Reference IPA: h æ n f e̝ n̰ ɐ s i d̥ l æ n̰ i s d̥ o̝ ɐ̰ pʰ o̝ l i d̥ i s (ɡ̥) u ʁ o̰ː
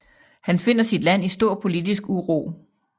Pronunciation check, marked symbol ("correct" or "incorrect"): correct